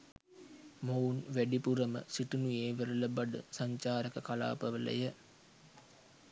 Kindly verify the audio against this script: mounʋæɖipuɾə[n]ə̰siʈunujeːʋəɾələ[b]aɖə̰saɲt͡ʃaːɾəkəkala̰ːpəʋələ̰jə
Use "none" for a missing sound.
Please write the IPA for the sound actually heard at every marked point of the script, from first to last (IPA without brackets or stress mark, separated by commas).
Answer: m, b